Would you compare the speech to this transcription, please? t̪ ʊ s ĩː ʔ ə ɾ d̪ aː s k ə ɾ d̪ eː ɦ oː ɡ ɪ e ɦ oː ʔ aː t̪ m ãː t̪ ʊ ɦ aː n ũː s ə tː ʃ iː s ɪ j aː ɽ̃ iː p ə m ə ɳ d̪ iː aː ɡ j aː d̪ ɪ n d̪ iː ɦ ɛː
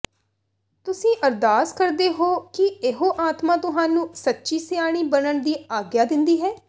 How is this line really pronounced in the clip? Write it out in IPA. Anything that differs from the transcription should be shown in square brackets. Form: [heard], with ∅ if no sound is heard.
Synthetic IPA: t̪ ʊ s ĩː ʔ ə ɾ d̪ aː s k ə ɾ d̪ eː ɦ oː [k] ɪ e ɦ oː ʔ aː t̪ m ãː t̪ ʊ ɦ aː n ũː s ə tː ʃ iː s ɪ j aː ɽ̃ iː [b] ə [n] ə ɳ d̪ iː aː ɡ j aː d̪ ɪ n d̪ iː ɦ ɛː

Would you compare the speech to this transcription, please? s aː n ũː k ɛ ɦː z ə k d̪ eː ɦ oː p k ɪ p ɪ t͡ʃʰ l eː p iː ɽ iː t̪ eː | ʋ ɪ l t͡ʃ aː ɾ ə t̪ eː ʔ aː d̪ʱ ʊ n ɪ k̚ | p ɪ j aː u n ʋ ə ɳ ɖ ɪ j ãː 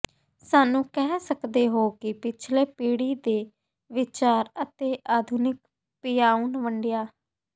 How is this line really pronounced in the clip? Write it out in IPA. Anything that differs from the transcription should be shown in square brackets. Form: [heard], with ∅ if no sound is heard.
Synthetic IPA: s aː n ũː k ɛ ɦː [s] ə k d̪ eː ɦ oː [∅] k ɪ p ɪ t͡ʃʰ l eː p iː ɽ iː [d̪] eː | ʋ ɪ [∅] t͡ʃ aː ɾ ə t̪ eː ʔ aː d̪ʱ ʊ n ɪ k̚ | p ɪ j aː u n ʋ ə ɳ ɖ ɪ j [aː]

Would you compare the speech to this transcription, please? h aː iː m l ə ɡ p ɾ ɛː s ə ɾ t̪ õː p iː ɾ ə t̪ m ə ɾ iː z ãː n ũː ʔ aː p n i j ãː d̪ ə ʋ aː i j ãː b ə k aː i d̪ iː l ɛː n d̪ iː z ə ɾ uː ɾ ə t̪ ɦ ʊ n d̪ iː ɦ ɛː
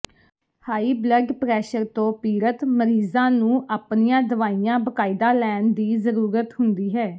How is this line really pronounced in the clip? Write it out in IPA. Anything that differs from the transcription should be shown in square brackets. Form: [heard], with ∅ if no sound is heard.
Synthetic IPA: h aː iː [b] l ə ɡ p ɾ ɛː [ʃ] ə ɾ t̪ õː p iː ɾ ə t̪ m ə ɾ iː z ãː n ũː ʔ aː p n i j ãː d̪ ə ʋ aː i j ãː b ə k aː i d̪ [aː] l ɛː n d̪ iː z ə ɾ uː ɾ ə t̪ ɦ ʊ n d̪ iː ɦ ɛː

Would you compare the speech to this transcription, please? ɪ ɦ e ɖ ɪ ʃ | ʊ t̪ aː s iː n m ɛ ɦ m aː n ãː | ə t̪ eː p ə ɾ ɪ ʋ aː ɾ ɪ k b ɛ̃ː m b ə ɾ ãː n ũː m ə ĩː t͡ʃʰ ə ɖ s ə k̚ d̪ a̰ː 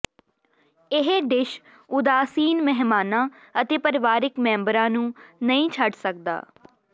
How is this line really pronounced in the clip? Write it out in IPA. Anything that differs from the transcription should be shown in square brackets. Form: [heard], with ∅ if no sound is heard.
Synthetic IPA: ɪ ɦ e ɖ ɪ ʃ | ʊ [d̪] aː s iː n m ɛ ɦ m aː n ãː | ə t̪ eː p ə ɾ ɪ ʋ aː ɾ ɪ k [m] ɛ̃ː m b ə ɾ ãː n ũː [n] ə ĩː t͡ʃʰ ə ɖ s ə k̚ d̪ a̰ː

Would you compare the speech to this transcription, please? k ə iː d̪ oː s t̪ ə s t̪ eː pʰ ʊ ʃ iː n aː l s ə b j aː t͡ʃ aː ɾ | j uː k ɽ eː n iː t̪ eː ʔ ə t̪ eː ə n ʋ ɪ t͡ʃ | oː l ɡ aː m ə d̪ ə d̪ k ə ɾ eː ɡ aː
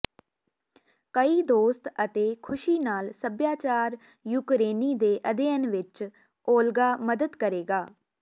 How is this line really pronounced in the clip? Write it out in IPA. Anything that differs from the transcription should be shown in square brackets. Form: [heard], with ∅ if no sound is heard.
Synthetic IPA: k ə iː d̪ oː s t̪ ə [∅] t̪ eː [kʰ] ʊ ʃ iː n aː l s ə b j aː t͡ʃ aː ɾ | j uː k [ɾ] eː n iː [d̪] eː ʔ ə [d̪] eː ə n ʋ ɪ t͡ʃ | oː l ɡ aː m ə d̪ ə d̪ k ə ɾ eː ɡ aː

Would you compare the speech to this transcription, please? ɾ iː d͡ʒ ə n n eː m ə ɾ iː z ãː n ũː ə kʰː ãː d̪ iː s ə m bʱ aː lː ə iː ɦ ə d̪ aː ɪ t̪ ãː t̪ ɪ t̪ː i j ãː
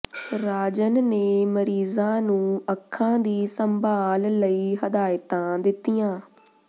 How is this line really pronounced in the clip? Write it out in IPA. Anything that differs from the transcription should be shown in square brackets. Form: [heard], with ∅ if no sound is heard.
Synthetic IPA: ɾ [aː] d͡ʒ ə n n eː m ə ɾ iː z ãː n ũː ə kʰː ãː d̪ iː s ə m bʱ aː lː ə iː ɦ ə d̪ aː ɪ t̪ ãː [d̪] ɪ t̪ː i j ãː

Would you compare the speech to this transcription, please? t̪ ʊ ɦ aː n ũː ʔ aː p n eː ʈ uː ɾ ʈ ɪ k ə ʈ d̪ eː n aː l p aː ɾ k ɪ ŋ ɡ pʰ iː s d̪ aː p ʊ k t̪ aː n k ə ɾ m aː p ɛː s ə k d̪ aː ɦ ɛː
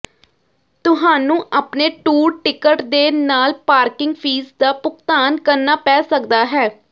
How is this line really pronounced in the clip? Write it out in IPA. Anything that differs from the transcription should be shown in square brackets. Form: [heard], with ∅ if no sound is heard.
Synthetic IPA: t̪ ʊ ɦ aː n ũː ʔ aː p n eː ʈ uː ɾ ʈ ɪ k ə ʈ d̪ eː n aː l p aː ɾ k ɪ ŋ ɡ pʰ iː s d̪ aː p ʊ k t̪ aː n k ə ɾ [n] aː p ɛː s ə k d̪ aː ɦ ɛː

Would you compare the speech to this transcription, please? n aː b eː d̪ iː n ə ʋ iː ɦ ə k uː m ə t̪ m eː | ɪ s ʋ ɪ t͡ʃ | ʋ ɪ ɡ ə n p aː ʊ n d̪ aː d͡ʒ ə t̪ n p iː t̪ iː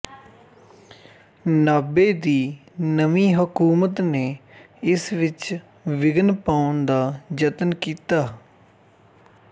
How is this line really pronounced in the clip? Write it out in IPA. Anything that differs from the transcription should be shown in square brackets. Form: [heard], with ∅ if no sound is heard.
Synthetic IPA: n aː b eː d̪ iː n ə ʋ iː ɦ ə k uː m ə t̪ [n] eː | ɪ s ʋ ɪ t͡ʃ | ʋ ɪ ɡ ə n p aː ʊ n d̪ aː d͡ʒ ə t̪ n [k] iː t̪ [aː]

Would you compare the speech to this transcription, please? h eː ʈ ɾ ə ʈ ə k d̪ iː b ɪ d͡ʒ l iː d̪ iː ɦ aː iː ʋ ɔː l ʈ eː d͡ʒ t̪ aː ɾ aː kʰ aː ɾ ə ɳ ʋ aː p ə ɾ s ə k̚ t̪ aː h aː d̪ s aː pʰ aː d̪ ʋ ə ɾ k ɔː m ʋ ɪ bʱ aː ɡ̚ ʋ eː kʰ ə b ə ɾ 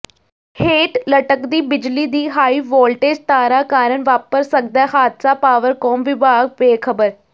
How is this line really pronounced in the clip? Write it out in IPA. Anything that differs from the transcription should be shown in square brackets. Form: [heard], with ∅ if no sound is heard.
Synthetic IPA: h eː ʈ [l] ə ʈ ə k d̪ iː b ɪ d͡ʒ l iː d̪ iː ɦ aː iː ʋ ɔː l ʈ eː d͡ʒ t̪ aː ɾ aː [k] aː ɾ ə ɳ ʋ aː p ə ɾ s ə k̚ [d̪] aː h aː d̪ s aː [p] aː [∅] ʋ ə ɾ k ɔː m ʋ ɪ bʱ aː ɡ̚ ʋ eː kʰ ə b ə ɾ

